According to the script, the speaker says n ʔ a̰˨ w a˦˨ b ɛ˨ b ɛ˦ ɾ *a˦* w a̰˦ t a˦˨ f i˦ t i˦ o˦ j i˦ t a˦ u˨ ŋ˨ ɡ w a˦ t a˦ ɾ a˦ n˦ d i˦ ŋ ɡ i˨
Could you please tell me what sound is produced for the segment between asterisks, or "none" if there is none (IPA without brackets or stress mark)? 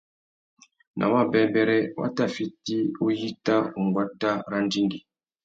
ɛ˦